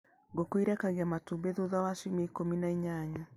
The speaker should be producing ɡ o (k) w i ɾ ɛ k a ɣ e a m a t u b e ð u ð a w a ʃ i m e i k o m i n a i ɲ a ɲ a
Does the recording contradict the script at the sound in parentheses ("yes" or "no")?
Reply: no